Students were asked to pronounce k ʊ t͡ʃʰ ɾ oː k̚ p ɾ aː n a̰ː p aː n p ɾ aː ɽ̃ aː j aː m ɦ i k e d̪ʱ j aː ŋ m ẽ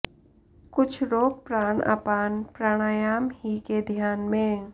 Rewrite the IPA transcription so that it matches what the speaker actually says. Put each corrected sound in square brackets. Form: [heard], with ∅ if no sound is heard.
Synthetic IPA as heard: k ʊ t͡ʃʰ ɾ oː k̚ p ɾ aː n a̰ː p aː n p ɾ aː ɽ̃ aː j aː m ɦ i k e d̪ʱ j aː [n] m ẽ